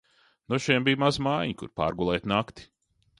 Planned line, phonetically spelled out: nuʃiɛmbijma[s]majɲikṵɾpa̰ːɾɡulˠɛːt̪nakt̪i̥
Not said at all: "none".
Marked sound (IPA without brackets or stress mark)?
z